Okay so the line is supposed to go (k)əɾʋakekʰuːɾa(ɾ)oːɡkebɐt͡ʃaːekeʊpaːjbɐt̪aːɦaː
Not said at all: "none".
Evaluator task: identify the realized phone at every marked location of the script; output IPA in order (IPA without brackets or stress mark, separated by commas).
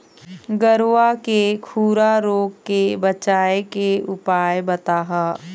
ɡ, ɾ